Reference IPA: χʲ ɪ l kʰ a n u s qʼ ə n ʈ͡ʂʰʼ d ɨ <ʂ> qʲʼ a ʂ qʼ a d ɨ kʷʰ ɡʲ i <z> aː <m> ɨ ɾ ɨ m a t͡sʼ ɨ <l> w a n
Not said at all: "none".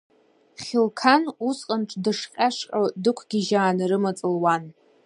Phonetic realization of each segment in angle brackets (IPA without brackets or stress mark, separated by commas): ʂ, ʒ, n, l